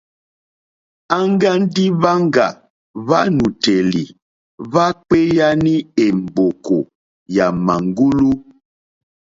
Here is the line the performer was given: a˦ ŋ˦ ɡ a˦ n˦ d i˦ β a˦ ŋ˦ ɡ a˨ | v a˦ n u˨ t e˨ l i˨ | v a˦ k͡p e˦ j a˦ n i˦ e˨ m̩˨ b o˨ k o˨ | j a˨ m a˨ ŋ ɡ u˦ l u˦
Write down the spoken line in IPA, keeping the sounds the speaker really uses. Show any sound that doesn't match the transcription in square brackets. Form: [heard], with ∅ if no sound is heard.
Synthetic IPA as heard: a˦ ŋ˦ ɡ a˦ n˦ d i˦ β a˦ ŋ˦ ɡ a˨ | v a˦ n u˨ t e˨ l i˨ | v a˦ k͡p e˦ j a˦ n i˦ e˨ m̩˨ b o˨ k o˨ | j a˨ m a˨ ŋ ɡ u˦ l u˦